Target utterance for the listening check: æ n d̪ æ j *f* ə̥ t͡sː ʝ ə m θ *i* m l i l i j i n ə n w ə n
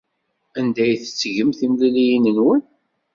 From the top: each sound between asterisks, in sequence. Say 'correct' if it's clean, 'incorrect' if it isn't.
incorrect: θ, correct

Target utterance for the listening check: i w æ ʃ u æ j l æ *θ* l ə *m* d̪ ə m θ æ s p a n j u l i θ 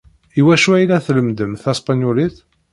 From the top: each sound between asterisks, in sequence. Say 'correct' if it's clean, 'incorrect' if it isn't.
correct, correct

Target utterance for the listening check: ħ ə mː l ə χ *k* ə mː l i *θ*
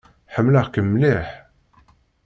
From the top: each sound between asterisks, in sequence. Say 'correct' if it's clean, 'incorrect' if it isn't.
correct, incorrect: ħ

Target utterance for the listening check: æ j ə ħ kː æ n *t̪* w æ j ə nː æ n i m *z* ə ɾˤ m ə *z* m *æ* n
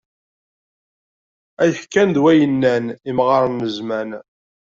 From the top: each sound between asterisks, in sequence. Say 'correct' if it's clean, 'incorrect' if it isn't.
incorrect: d̪, incorrect: ʁ, correct, correct

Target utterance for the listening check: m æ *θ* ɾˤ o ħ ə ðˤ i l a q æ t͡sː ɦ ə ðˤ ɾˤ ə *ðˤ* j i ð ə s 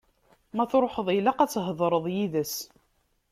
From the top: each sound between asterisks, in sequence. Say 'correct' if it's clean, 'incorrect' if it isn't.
correct, correct

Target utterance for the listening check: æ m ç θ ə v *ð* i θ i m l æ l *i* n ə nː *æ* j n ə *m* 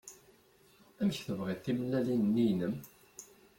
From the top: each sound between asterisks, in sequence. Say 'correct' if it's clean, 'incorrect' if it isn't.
incorrect: ʁ, correct, incorrect: i, correct

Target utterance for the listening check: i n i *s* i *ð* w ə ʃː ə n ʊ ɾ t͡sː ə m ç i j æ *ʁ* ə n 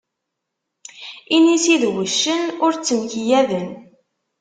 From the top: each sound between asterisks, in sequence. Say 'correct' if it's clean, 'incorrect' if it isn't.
correct, correct, incorrect: ð

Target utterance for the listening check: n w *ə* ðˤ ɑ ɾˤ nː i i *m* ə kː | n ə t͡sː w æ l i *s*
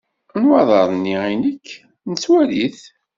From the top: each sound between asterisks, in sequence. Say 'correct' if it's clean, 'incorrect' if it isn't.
incorrect: ɑ, incorrect: n, incorrect: θ

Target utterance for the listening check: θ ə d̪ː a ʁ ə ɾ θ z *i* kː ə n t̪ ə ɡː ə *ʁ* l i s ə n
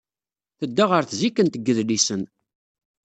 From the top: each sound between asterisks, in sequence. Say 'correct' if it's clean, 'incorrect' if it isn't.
correct, incorrect: ð

